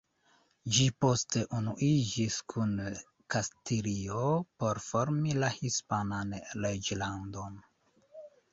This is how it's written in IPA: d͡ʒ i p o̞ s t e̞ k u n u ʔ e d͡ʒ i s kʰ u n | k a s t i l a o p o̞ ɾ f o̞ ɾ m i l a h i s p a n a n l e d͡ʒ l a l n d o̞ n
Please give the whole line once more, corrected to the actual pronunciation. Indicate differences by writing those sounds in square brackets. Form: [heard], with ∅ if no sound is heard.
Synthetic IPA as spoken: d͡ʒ i p o̞ s t e̞ [ʔ] u n u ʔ [i] d͡ʒ i s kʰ u n | k a s t i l [i] o p o̞ ɾ f o̞ ɾ m i l a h i s p a n a n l e d͡ʒ l a [∅] n d o̞ n